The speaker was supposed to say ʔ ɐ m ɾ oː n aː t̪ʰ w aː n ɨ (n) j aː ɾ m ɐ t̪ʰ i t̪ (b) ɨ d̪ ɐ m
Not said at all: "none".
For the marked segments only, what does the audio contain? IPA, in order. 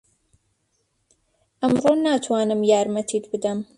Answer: m, b

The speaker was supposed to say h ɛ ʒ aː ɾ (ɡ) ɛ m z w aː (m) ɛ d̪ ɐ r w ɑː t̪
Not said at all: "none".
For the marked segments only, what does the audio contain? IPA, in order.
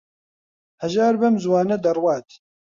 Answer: b, n

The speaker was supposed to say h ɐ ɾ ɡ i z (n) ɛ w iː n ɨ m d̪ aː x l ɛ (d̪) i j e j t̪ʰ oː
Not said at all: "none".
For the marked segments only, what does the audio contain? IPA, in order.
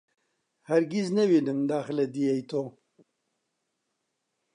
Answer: n, d̪

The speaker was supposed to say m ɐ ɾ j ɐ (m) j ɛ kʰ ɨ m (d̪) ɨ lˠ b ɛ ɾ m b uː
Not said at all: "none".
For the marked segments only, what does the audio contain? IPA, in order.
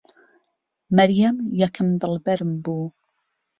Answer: m, d̪

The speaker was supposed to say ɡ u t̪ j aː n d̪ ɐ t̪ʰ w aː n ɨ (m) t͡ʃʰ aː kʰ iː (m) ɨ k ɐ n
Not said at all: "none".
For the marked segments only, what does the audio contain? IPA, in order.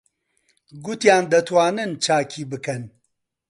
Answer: n, b

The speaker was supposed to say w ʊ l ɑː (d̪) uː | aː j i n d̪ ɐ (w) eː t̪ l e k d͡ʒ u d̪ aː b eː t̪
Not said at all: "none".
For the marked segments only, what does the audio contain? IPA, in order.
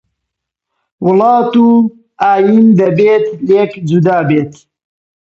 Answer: t̪, b

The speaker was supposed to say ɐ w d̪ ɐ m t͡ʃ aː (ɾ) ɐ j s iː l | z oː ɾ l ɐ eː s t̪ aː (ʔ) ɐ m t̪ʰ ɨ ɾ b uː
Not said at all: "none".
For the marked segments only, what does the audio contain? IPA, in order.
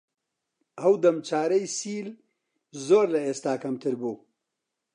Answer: ɾ, k

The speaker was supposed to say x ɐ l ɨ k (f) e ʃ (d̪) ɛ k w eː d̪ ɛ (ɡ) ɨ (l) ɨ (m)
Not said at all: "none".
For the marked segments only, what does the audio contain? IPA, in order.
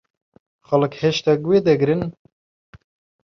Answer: h, t̪, ɡ, ɾ, n

